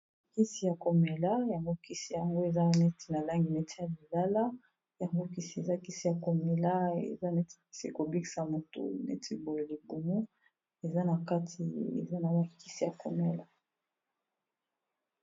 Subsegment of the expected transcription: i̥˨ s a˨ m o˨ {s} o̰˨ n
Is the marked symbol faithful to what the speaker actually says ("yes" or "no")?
no